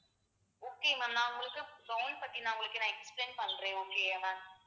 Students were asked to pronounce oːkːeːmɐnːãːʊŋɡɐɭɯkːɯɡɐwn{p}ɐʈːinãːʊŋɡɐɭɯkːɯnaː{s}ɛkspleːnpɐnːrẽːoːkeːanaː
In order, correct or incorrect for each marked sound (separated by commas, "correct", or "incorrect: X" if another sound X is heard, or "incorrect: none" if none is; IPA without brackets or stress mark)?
correct, incorrect: none